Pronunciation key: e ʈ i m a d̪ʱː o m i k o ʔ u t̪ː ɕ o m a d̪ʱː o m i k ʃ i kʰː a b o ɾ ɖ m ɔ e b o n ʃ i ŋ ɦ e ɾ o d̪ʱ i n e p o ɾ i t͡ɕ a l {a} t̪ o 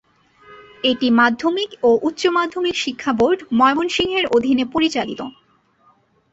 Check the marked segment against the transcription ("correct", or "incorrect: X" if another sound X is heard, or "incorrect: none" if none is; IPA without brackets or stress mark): incorrect: i